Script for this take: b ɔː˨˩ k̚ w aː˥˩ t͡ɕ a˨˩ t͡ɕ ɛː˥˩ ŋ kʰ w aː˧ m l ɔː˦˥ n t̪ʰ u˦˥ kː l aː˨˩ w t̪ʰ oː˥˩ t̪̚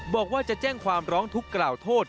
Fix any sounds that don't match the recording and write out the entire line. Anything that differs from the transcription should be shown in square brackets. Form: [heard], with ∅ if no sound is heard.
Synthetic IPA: b ɔː˨˩ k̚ w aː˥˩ t͡ɕ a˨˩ t͡ɕ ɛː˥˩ ŋ kʰ w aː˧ m [ɾ] ɔː˦˥ [ŋ] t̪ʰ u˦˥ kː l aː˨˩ w t̪ʰ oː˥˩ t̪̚